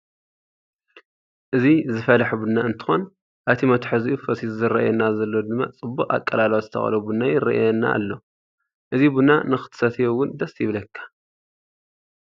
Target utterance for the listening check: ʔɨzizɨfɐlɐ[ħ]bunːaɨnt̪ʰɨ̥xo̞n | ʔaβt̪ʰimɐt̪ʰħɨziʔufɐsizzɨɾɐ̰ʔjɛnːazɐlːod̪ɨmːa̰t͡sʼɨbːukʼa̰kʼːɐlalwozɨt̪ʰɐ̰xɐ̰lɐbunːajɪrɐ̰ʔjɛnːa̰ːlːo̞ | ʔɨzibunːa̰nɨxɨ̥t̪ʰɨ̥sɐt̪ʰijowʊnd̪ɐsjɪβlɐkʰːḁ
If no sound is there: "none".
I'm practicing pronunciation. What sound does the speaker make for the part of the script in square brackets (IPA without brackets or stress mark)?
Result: ħ